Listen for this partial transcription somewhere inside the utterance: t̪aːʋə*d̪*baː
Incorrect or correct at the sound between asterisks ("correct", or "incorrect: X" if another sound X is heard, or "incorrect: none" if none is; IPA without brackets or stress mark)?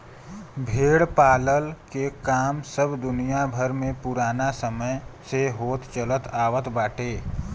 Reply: incorrect: t̪